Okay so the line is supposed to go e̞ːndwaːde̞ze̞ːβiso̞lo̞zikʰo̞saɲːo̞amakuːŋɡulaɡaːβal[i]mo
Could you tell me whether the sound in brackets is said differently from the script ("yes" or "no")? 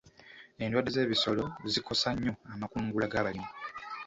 no